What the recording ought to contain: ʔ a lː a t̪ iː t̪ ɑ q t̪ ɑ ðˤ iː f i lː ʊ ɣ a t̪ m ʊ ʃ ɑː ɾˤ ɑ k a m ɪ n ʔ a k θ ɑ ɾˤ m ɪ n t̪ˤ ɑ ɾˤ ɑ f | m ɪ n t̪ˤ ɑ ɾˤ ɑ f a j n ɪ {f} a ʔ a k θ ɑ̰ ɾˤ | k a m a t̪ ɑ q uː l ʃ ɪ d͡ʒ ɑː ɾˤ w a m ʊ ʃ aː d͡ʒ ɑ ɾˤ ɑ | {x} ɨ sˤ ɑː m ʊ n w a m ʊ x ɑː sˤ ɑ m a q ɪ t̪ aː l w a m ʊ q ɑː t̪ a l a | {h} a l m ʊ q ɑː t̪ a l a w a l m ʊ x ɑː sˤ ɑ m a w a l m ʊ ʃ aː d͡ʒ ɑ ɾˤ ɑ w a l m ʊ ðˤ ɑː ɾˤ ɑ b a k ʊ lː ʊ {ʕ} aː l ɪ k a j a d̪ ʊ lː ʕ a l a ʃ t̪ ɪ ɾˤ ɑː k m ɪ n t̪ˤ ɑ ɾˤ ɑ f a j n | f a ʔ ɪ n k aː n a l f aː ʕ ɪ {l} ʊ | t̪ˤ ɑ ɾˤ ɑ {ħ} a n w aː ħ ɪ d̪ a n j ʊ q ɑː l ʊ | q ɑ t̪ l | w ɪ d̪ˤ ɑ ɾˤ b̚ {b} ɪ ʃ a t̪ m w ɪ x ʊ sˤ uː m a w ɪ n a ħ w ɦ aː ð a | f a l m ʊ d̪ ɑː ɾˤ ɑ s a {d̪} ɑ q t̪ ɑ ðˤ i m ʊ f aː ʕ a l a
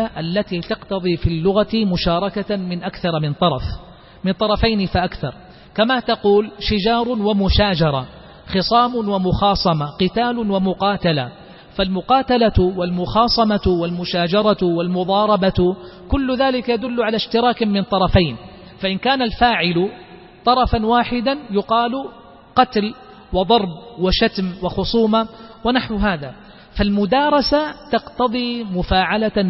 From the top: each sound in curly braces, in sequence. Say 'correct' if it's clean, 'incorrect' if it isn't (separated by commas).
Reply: correct, correct, incorrect, incorrect, correct, incorrect, incorrect, incorrect